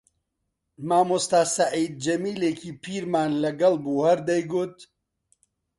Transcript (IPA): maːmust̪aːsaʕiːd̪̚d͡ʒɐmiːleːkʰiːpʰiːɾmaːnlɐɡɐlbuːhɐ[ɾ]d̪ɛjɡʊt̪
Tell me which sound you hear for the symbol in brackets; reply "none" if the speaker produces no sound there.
ɾ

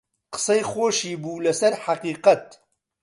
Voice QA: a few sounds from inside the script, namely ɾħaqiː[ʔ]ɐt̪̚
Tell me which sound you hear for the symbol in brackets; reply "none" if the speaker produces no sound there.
q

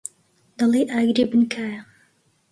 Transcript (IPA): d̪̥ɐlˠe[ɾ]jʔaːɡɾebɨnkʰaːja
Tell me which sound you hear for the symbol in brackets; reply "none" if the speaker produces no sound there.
none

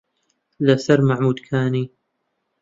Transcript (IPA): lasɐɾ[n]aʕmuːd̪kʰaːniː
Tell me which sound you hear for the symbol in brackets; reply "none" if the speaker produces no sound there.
m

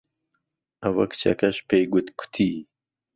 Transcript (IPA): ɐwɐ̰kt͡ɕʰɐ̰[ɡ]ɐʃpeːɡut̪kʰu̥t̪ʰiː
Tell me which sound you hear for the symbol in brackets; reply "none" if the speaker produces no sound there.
k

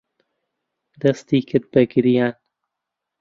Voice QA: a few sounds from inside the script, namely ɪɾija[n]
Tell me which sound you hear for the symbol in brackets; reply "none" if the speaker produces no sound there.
n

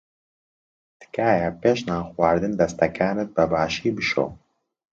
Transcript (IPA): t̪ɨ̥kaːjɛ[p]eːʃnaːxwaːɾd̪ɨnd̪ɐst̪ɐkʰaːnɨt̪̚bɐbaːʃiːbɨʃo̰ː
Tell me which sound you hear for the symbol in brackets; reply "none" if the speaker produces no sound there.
p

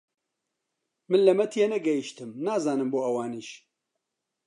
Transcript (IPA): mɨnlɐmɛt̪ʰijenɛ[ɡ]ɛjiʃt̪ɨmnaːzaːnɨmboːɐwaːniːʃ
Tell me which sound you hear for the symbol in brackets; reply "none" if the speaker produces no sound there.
ɡ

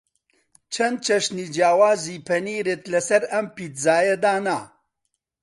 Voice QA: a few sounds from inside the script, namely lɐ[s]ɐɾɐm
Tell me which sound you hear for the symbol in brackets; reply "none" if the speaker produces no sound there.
s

